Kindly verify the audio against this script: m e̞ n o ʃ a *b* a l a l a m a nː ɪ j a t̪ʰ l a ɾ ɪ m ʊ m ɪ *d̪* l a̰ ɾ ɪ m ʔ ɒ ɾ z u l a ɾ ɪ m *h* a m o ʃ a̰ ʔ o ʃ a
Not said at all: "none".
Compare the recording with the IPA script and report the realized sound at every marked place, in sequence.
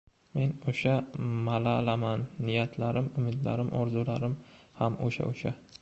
m, d̪, h

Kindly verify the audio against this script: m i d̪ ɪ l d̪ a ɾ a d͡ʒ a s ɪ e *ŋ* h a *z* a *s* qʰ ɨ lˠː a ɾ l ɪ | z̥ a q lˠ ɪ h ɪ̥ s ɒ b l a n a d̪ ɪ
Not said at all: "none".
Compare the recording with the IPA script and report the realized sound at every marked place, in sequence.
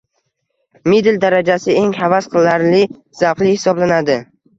ŋ, v, s

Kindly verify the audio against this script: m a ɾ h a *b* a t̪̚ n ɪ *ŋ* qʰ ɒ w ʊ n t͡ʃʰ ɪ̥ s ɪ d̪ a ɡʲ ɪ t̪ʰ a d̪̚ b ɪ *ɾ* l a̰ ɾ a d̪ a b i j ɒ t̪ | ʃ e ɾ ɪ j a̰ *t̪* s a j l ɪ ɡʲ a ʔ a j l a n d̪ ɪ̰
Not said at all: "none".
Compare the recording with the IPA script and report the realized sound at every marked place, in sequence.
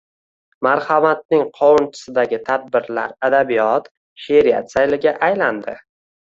m, ŋ, ɾ, t̪

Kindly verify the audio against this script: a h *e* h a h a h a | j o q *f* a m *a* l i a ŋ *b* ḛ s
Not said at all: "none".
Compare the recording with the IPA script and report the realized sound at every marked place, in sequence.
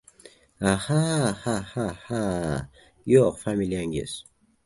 a, f, i, ɡ

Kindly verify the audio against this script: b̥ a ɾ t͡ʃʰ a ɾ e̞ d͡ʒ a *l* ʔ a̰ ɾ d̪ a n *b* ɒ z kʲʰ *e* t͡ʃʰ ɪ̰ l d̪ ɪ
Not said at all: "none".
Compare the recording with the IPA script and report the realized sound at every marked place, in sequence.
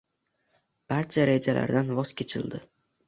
l, v, e

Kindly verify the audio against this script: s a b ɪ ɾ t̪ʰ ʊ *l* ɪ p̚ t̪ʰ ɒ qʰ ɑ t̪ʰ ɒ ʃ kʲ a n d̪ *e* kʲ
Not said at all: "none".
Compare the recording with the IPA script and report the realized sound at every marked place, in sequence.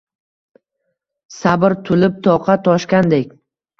l, e

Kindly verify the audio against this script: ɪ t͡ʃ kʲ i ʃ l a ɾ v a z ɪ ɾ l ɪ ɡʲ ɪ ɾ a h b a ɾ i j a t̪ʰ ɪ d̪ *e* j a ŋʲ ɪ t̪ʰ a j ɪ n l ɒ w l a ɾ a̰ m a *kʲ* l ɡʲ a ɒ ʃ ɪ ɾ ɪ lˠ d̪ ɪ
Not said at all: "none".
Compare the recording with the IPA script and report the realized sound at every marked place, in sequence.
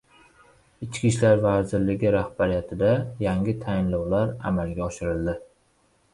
a, none

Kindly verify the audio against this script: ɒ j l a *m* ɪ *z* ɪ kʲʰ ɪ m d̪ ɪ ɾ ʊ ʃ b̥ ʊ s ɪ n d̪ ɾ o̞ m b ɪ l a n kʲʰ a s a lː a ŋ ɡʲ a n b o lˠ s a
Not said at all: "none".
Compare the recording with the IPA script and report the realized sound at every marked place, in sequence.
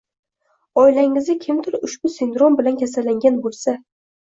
ŋ, z

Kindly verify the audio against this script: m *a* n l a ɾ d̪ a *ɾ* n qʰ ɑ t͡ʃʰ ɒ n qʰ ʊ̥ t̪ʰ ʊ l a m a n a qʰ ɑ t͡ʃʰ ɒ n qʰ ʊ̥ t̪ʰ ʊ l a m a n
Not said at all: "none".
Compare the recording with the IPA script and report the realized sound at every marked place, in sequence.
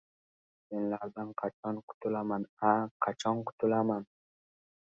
e, none

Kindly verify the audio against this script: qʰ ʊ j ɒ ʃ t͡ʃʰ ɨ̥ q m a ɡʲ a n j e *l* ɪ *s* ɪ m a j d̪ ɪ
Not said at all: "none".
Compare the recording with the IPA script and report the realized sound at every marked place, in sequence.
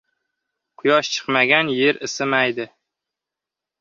ɾ, s

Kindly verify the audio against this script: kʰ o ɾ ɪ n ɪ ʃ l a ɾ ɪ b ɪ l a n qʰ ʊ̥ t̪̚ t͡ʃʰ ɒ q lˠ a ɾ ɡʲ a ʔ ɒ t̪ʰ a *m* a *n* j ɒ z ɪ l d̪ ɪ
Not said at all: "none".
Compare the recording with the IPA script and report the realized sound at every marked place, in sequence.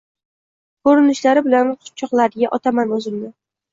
m, n

